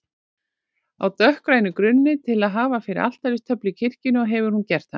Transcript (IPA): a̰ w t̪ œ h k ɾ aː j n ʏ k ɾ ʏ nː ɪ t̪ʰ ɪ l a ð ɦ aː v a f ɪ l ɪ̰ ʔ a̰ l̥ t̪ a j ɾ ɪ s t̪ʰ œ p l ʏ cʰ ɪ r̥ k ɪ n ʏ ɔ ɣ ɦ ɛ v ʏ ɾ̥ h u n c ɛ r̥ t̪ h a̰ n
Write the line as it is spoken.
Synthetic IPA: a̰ w t̪ œ h k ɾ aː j n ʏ k ɾ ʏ nː ɪ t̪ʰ ɪ l a ð ɦ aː v a f ɪ ɾ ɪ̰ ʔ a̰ l̥ t̪ a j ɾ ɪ s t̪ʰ œ p l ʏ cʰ ɪ r̥ c ɪ n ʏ ɔ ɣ ɦ ɛ v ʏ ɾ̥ h u n c ɛ r̥ t̪ h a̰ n